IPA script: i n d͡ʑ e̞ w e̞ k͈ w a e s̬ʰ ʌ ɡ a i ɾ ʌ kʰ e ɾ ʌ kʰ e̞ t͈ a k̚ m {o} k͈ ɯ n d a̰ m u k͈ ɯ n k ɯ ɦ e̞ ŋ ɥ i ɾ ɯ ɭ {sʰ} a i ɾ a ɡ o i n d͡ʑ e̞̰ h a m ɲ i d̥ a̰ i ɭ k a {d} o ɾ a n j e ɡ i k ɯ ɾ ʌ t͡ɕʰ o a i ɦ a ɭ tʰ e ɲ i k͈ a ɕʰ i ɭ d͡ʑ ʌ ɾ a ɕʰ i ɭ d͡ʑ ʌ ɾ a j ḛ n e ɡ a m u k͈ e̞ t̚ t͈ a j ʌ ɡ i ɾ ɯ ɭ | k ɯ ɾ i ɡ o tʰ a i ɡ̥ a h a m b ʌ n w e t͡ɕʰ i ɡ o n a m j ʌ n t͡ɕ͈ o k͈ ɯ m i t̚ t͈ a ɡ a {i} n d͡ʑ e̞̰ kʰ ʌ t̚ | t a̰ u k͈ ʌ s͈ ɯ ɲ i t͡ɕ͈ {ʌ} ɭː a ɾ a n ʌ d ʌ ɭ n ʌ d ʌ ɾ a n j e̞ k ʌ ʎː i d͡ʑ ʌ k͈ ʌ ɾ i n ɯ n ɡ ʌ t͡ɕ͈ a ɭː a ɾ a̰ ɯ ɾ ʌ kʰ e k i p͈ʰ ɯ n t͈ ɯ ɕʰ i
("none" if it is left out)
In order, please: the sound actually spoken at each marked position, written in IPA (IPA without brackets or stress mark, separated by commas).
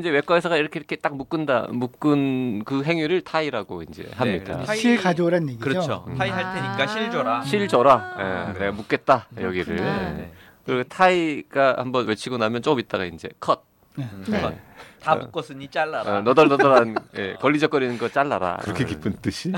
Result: u, tʰ, d͡ʑ, i, a